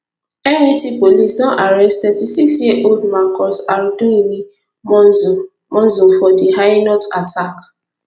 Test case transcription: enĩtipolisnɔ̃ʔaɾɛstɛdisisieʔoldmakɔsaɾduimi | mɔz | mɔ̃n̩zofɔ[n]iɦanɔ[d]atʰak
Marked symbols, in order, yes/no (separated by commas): no, no